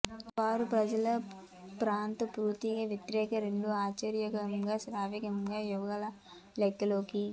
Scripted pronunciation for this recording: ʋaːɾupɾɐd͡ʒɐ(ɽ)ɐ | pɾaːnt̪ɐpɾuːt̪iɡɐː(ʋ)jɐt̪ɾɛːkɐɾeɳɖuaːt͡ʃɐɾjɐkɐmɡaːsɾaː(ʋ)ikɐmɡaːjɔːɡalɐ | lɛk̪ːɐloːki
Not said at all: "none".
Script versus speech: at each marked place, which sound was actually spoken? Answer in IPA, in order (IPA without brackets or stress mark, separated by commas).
l, ʋ, ʋ